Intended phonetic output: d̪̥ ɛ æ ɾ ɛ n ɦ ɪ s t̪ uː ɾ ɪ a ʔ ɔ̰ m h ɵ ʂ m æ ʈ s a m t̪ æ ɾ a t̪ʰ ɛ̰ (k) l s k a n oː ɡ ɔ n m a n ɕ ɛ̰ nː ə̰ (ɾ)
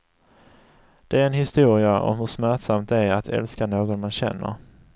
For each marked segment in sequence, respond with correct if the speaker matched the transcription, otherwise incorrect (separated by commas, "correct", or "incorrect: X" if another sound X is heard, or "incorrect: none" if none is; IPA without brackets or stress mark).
incorrect: none, correct